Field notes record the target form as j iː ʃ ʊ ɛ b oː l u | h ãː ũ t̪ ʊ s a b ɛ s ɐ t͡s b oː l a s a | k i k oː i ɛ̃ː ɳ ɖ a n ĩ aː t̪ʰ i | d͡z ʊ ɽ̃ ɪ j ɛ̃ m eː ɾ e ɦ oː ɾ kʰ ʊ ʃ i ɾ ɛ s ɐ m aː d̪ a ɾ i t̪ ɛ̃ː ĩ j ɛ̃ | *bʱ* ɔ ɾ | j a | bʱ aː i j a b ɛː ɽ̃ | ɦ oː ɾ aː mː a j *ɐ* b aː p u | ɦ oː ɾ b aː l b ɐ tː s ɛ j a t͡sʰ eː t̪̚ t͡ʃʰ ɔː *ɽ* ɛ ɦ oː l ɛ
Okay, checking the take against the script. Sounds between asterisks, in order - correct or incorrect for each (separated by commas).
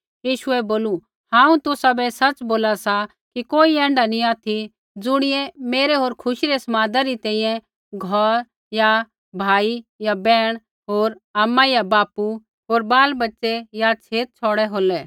incorrect, incorrect, correct